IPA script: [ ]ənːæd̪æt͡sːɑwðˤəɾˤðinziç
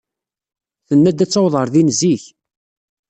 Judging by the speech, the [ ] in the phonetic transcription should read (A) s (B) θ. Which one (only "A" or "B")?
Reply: B